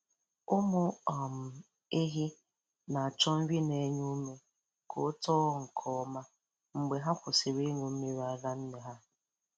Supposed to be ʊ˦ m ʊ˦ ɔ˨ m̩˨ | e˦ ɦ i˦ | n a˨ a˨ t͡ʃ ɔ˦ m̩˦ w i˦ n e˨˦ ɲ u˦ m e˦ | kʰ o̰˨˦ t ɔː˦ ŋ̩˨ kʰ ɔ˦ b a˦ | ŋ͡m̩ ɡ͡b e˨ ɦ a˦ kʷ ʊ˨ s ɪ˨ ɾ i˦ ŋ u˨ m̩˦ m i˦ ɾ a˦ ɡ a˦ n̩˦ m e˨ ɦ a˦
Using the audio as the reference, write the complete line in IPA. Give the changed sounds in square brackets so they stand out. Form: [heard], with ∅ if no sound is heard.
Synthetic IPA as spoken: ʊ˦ m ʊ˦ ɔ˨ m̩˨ | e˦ ɦ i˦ | n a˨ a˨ t͡ʃ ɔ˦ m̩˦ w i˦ n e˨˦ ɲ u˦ m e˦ | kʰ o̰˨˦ t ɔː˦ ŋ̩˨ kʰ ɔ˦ [m] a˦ | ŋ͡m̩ ɡ͡b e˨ ɦ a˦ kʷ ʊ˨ s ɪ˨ ɾ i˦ ŋ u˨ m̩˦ m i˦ ɾ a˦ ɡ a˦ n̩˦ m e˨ ɦ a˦